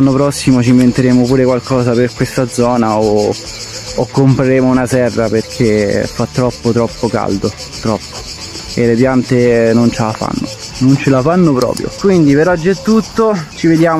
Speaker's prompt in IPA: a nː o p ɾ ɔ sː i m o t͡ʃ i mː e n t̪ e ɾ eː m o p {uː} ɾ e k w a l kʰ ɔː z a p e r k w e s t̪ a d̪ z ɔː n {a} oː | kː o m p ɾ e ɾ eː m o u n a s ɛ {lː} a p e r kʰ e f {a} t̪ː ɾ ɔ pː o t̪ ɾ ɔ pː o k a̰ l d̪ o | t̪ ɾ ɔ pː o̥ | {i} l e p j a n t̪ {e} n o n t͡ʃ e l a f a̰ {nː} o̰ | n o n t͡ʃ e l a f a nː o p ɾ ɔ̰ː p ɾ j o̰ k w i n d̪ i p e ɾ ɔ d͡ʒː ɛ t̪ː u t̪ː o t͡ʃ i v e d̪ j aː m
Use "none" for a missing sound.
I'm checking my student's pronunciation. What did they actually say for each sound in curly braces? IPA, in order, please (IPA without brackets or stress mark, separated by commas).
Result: uː, a, rː, a, e, e, nː